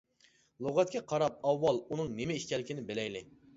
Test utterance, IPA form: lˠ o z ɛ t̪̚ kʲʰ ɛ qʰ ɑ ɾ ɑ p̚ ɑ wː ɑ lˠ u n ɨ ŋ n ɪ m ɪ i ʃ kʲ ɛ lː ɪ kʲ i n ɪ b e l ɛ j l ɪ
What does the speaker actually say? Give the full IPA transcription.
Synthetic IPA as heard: lˠ o ʁ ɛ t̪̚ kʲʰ ɛ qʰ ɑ ɾ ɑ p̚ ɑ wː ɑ lˠ u n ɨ ŋ n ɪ m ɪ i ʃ kʲ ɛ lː ɪ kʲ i n ɪ b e l ɛ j l ɪ